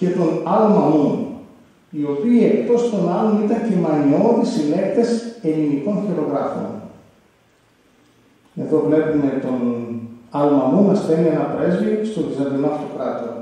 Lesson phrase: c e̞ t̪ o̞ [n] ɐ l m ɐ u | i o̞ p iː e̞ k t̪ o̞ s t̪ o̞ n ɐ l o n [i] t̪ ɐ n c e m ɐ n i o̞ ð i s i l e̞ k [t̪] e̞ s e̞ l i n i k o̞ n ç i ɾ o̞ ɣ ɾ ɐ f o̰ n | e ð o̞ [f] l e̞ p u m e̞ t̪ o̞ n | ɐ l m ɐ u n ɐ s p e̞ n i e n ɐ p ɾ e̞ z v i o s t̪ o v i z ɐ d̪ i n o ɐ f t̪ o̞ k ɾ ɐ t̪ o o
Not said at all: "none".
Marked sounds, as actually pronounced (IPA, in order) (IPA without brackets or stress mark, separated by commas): n, i, t̪, v